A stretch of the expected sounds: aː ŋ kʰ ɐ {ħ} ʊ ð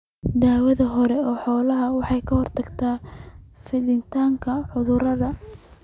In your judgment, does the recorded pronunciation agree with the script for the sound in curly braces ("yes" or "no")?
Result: yes